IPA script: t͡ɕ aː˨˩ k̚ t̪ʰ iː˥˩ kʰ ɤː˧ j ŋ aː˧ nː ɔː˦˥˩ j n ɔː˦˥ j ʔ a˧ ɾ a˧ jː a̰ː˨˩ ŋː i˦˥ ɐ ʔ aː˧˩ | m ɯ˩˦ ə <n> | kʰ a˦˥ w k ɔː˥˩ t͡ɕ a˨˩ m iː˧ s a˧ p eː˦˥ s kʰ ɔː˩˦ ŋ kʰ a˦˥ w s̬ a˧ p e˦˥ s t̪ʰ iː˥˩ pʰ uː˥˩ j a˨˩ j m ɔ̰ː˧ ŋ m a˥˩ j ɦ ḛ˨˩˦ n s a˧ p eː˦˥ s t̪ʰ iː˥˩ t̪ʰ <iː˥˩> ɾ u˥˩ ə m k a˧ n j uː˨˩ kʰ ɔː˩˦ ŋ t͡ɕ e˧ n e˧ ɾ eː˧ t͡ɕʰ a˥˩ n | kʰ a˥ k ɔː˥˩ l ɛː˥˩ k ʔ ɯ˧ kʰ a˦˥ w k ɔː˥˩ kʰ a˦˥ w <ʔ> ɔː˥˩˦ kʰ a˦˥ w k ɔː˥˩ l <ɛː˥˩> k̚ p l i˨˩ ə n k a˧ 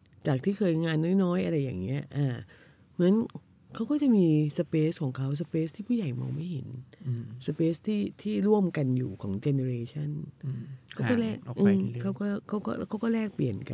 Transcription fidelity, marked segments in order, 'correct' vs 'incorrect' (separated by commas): correct, correct, incorrect, correct